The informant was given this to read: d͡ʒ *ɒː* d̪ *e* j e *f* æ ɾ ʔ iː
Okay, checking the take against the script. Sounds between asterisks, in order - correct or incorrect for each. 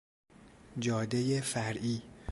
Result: correct, correct, correct

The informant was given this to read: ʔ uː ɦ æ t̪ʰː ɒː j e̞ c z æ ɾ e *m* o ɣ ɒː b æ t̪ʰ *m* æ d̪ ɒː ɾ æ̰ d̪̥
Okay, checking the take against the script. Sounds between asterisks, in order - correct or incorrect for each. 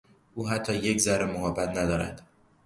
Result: correct, incorrect

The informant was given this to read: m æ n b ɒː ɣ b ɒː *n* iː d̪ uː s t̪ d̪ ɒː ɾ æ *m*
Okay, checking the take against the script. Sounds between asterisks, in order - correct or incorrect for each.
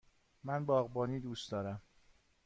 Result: correct, correct

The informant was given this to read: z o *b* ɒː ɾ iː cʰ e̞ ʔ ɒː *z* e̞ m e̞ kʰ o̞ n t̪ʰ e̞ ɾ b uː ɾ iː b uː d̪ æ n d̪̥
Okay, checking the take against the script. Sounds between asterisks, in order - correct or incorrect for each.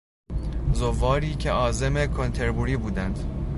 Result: incorrect, correct

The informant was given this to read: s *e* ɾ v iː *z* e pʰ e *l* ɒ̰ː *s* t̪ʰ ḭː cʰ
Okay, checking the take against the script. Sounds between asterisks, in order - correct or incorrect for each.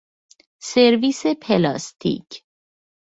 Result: correct, incorrect, correct, correct

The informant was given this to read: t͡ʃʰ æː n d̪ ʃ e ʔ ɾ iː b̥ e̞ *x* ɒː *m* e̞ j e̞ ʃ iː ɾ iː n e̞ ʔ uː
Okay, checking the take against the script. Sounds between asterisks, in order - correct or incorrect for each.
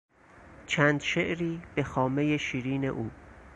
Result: correct, correct

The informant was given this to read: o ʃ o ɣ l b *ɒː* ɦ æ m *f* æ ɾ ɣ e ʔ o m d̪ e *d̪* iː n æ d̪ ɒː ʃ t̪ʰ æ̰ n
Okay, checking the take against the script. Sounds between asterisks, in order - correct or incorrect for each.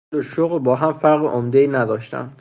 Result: correct, correct, incorrect

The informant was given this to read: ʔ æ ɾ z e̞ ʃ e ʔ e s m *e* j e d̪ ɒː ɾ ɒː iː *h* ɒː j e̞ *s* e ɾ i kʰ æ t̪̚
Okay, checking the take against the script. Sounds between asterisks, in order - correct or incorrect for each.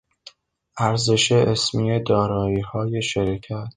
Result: incorrect, correct, incorrect

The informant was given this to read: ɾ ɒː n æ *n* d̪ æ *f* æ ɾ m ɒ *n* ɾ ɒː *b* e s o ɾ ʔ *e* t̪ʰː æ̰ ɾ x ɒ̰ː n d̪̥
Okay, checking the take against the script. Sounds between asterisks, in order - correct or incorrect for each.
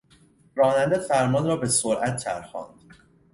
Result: correct, correct, correct, correct, incorrect

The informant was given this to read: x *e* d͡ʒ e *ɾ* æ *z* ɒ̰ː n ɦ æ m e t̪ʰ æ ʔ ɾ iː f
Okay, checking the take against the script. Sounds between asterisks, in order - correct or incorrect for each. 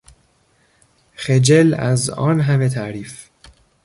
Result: correct, incorrect, correct

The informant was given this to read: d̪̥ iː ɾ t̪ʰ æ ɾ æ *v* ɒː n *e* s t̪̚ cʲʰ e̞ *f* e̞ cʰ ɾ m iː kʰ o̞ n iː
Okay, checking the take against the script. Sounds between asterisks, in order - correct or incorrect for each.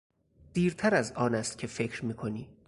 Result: incorrect, incorrect, correct

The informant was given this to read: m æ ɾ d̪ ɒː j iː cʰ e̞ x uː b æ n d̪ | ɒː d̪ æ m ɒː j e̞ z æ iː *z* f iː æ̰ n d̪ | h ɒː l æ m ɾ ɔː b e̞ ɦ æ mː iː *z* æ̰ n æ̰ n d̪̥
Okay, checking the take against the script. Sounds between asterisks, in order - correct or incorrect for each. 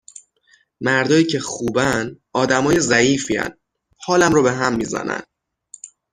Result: incorrect, correct

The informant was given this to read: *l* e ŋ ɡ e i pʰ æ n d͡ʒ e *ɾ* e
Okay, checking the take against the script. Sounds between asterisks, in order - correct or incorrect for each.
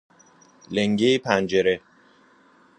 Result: correct, correct

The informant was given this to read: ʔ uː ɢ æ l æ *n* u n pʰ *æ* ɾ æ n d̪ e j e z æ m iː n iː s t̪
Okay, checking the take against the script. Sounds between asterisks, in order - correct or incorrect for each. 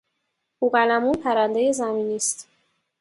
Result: incorrect, correct

